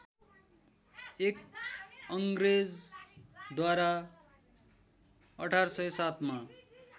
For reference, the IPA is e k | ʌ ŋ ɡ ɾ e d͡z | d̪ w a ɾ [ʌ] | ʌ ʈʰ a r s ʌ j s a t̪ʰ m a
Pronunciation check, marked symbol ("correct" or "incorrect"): incorrect